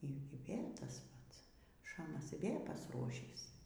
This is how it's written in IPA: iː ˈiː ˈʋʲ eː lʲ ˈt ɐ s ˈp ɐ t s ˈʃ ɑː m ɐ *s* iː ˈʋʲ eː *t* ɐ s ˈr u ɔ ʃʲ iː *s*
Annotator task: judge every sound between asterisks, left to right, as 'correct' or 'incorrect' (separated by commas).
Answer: correct, incorrect, correct